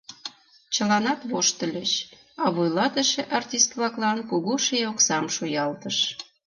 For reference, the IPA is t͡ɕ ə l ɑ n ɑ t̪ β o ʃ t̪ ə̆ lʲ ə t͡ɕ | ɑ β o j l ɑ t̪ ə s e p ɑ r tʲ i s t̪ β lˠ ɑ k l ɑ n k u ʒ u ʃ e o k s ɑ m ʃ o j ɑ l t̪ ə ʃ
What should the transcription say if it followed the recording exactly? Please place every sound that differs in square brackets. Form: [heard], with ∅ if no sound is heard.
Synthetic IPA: t͡ɕ ə l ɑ n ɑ t̪ β o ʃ t̪ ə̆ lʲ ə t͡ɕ | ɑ β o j l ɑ t̪ ə [ʃ] e [ʔ] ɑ r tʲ i s t̪ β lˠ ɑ k l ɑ n k u [ɣ] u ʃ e o k s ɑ m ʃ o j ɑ l t̪ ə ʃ